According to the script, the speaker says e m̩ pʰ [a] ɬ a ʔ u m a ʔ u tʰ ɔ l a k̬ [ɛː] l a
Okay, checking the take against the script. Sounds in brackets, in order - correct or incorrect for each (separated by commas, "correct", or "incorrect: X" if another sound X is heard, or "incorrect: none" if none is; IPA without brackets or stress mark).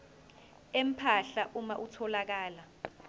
correct, incorrect: aː